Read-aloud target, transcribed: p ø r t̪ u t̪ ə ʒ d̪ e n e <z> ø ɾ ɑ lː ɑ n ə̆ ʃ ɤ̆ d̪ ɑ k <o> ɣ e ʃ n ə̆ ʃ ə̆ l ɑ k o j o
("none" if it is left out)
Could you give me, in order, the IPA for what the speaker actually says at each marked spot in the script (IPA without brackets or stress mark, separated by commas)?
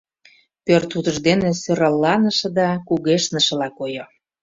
s, u